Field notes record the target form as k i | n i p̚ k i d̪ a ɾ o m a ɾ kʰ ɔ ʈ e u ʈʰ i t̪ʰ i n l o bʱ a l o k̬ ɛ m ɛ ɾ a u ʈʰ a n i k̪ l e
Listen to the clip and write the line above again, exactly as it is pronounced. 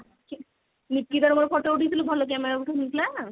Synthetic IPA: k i | n i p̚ k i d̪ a ɾ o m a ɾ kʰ ɔ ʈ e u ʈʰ i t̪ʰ i l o bʱ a l o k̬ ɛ m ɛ ɾ a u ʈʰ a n i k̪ l a